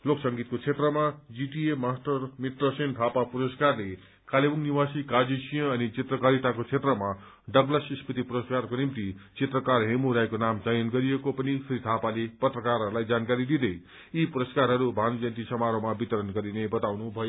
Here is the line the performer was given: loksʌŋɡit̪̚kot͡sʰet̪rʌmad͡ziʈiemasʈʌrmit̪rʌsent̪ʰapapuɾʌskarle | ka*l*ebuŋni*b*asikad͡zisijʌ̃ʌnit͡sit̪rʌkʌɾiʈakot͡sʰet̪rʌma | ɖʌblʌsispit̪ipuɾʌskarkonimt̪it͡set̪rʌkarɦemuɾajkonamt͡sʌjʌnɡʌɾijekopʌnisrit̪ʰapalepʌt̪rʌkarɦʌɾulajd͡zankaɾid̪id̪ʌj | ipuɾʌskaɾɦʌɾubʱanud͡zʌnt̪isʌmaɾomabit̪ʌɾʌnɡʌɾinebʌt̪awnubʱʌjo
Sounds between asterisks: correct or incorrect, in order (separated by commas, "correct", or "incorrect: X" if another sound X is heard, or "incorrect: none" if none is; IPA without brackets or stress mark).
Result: correct, incorrect: w